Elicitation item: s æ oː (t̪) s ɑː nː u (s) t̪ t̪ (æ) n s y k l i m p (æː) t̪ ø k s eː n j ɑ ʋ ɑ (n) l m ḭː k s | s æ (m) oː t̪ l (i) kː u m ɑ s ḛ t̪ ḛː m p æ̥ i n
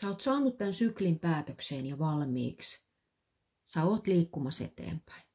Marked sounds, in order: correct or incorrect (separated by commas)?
correct, incorrect, correct, correct, incorrect, incorrect, incorrect